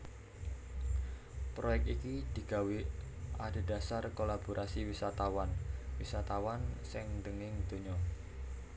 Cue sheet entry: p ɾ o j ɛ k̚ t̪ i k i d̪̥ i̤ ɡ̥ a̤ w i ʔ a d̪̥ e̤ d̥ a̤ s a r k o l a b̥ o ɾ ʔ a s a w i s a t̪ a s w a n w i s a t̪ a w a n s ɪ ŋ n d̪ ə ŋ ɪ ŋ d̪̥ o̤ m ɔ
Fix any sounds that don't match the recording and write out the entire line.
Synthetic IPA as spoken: p ɾ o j ɛ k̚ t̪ i k i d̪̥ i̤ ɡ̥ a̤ w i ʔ a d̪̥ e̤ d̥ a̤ s a r k o l a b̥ o ɾ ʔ a s i w i s a t̪ a w a n w i s a t̪ a w a n s ɪ ŋ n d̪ ə ŋ ɪ ŋ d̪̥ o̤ ɲ ɔ